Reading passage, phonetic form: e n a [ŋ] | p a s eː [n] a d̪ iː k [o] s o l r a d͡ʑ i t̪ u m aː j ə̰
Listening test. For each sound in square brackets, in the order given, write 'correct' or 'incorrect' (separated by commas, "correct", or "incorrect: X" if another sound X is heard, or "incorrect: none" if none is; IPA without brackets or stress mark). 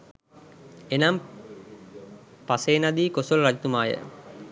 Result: incorrect: m, correct, correct